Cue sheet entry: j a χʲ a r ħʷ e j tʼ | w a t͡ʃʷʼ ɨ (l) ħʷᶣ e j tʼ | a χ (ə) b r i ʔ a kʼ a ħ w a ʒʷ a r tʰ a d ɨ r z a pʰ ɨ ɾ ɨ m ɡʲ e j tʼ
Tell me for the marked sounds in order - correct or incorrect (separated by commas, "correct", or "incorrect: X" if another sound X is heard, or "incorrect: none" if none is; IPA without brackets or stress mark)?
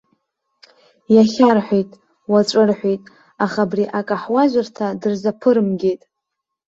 incorrect: r, incorrect: a